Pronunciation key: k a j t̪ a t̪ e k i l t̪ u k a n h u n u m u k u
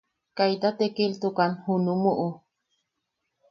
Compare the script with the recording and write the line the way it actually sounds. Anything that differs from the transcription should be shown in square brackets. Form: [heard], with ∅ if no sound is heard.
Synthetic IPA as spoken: k a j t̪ a t̪ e k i l t̪ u k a n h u n u m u [ʔ] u